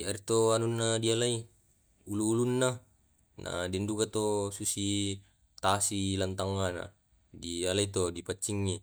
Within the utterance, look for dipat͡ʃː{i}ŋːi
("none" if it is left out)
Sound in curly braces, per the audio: i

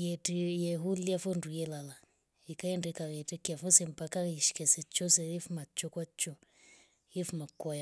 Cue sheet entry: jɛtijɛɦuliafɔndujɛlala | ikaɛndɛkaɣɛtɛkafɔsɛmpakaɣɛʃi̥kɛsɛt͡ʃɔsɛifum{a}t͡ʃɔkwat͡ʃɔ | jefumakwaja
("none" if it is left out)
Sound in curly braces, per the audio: a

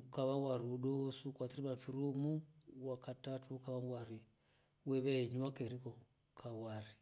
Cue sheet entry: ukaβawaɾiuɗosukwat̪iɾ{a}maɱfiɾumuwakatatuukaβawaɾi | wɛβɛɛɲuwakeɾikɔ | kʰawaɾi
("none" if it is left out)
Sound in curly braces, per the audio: i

